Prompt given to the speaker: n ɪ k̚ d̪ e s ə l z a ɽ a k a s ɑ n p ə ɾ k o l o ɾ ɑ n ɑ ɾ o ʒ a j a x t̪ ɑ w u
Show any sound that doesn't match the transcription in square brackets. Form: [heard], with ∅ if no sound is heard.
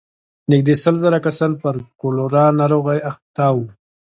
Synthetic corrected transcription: n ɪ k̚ d̪ e s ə l z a [ɾ] a k a s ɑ n p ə ɾ k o l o ɾ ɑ n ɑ ɾ o [ɣ] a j a x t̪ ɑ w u